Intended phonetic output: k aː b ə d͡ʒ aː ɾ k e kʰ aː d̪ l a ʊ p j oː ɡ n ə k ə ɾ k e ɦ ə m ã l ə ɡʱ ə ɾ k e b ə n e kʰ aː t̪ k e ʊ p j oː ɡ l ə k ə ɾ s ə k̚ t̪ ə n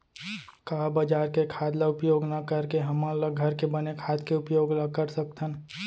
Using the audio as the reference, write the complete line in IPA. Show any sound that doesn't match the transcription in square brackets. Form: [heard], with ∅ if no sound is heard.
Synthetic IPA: k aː b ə d͡ʒ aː ɾ k e kʰ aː d̪ l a ʊ p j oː ɡ n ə k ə ɾ k e ɦ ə m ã l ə ɡʱ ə ɾ k e b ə n e kʰ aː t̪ k e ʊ p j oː ɡ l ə k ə ɾ s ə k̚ t̪ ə n